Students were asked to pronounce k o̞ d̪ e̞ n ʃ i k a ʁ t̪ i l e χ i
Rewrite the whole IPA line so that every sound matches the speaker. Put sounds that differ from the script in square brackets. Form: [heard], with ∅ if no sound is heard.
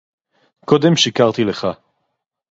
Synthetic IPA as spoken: k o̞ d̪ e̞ [m] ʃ i k a ʁ t̪ i l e χ [a]